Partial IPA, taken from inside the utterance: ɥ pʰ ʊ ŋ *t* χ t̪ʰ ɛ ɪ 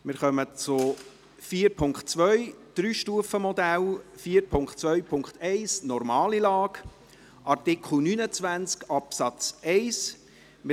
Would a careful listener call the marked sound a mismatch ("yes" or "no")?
yes